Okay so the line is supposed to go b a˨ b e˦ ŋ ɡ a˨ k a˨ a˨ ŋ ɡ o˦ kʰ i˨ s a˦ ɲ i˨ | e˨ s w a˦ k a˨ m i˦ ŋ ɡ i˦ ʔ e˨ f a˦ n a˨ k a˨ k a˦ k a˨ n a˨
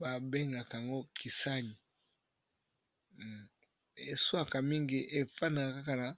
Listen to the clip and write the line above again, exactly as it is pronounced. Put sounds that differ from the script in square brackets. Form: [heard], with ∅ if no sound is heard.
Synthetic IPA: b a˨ b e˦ ŋ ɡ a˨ k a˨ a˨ ŋ ɡ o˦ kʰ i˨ s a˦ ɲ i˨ | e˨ s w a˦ k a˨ m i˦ ŋ ɡ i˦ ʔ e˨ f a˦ n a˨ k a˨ k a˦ k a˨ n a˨